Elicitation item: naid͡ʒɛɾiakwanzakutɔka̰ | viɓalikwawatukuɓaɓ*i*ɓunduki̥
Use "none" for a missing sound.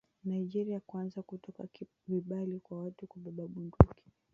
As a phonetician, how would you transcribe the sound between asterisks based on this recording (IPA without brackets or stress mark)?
a